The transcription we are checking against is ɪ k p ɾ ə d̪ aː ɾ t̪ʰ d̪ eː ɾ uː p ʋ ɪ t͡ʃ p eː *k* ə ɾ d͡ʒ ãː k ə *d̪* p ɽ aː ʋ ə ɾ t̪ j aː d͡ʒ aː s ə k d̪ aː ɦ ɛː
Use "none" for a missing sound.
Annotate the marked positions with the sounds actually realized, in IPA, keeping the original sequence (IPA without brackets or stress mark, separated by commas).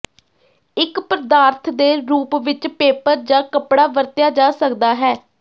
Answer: p, none